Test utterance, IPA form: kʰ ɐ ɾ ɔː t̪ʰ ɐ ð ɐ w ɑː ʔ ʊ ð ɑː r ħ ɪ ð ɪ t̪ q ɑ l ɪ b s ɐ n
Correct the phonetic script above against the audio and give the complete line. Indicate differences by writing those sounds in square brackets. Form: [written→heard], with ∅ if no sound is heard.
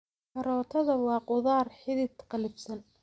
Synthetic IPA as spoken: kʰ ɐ ɾ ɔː t̪ʰ ɐ ð ɐ w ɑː [ʔ→q] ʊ ð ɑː r ħ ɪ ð ɪ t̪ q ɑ l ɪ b s ɐ n